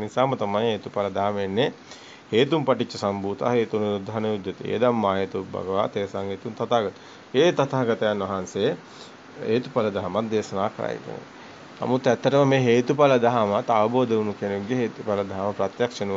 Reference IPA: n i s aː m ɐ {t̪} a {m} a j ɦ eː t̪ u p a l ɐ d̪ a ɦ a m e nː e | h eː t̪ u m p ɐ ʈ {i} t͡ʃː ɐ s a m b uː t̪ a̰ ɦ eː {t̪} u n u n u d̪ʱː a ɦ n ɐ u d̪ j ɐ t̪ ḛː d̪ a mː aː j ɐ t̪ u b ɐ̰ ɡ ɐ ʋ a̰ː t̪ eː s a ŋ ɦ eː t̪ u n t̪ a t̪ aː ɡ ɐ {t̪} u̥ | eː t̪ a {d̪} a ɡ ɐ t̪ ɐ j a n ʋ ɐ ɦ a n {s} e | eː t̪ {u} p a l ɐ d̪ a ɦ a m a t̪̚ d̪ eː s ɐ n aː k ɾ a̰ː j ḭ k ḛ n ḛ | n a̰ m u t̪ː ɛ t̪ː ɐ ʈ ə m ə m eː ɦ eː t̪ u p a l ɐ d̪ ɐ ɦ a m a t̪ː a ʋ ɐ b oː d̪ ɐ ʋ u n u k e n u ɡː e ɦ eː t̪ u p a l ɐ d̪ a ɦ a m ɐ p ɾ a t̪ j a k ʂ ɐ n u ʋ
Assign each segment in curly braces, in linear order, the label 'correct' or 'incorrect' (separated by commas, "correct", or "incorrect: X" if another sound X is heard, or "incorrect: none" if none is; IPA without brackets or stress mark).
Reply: correct, correct, correct, correct, correct, incorrect: t̪, correct, correct